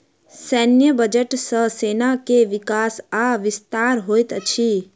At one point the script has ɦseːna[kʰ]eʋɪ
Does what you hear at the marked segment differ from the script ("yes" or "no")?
yes